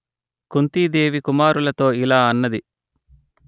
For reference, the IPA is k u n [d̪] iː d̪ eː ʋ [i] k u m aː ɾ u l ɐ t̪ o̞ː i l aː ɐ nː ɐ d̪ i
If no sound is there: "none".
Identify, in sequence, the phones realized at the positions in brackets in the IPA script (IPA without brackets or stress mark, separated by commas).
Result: t̪, i